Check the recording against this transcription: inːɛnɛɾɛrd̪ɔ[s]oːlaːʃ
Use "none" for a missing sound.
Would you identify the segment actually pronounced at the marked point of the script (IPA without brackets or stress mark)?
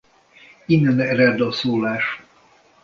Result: s